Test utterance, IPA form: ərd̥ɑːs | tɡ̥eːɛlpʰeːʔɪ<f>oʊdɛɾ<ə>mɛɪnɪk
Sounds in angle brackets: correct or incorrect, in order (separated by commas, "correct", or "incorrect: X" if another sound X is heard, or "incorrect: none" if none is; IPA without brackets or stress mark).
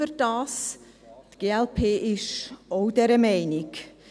incorrect: ʃ, correct